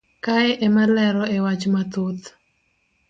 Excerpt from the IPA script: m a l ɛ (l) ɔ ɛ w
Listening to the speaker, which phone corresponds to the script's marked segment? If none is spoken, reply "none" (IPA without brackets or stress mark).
ɾ